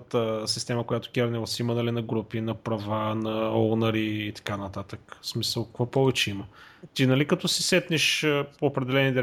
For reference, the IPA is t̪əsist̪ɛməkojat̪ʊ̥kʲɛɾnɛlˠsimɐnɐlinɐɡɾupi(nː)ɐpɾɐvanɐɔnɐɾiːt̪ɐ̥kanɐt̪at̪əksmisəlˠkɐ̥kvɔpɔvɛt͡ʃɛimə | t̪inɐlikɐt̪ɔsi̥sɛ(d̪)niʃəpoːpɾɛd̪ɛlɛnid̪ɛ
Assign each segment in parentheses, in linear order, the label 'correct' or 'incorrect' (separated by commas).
incorrect, incorrect